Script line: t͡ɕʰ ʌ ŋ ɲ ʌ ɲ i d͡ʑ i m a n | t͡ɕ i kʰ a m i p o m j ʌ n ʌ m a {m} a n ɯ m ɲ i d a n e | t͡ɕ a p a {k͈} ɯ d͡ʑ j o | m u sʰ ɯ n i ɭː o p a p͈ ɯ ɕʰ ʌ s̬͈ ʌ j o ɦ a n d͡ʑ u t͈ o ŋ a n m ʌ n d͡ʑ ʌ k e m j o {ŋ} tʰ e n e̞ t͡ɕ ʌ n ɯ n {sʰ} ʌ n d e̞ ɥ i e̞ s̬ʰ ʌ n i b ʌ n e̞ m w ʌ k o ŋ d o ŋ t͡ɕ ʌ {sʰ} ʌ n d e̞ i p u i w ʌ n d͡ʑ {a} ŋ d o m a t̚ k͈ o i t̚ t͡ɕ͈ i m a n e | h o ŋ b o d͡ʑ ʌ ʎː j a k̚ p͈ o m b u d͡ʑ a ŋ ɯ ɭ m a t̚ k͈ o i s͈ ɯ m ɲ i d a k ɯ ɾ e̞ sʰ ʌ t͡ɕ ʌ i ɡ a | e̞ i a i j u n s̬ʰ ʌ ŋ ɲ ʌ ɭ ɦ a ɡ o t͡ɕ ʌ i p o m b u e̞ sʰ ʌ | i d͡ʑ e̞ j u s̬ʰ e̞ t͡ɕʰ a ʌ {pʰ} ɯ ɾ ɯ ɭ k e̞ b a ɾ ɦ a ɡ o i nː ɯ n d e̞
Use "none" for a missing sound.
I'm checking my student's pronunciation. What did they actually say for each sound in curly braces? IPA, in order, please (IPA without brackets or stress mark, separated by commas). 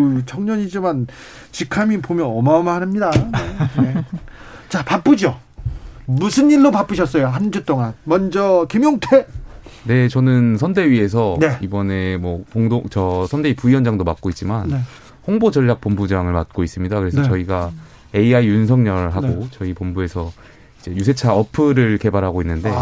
m, p͈, ŋ, sʰ, sʰ, a, pʰ